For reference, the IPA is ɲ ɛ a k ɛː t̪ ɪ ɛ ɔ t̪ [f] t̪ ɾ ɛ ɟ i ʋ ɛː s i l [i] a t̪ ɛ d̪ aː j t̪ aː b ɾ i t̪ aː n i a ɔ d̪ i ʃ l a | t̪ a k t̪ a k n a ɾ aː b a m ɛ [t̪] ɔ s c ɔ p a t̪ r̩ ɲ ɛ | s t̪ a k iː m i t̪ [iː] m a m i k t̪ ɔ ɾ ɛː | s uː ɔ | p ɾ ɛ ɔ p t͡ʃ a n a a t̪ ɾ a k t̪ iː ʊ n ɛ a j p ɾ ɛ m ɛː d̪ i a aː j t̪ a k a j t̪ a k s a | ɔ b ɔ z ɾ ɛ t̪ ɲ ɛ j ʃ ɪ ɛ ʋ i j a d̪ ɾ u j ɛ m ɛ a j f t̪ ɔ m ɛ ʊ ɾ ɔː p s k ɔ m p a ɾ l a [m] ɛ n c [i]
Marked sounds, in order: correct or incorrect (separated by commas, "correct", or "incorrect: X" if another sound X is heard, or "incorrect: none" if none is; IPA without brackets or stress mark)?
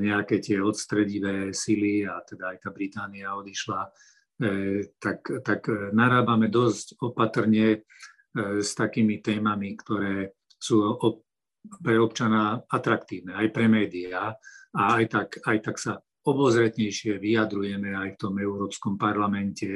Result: incorrect: s, correct, incorrect: d̪, incorrect: ɛː, correct, incorrect: ɛ